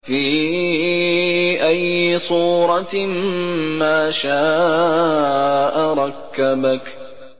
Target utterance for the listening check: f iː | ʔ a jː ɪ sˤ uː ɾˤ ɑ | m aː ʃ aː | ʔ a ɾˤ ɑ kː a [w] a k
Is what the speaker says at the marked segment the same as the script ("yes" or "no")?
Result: no